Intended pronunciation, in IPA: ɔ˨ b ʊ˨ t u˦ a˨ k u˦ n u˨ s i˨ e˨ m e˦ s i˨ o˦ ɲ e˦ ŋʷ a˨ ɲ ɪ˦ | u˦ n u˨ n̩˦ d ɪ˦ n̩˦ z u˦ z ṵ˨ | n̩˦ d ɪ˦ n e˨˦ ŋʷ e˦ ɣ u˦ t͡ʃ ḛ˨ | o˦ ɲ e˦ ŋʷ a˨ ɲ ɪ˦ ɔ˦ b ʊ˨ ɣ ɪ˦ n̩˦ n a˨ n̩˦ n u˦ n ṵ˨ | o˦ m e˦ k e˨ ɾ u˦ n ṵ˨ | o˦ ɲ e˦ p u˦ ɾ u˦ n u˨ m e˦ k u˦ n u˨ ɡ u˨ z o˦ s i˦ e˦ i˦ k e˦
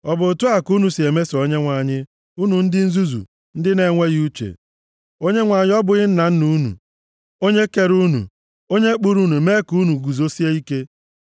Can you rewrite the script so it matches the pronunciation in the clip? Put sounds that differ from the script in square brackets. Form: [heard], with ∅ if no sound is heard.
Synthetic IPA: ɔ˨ b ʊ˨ t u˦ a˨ k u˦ n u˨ s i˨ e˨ m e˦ s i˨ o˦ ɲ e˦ ŋʷ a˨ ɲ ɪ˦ | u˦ n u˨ n̩˦ d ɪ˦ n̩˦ z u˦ z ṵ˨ | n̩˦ d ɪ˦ n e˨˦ ŋʷ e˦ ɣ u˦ t͡ʃ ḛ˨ | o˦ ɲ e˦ ŋʷ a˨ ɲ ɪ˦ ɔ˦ b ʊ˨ ɣ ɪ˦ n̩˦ n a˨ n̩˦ n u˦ n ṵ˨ | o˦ [ɲ] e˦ k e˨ ɾ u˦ n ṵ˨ | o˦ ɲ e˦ [k͡p] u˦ ɾ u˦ n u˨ m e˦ k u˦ n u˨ ɡ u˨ z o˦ s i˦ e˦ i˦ k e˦